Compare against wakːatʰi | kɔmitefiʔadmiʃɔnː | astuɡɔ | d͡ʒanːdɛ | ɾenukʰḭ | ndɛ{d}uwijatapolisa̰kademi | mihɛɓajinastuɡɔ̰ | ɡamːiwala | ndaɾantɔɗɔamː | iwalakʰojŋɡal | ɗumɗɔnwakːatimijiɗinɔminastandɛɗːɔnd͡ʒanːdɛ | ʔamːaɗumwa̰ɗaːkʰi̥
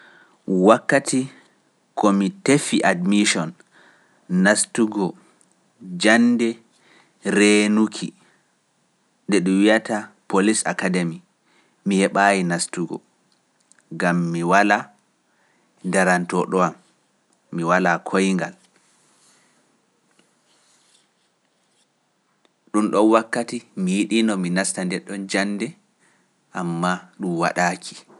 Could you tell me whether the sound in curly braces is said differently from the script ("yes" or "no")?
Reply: yes